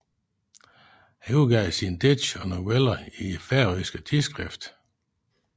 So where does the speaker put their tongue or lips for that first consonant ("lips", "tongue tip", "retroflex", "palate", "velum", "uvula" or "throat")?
throat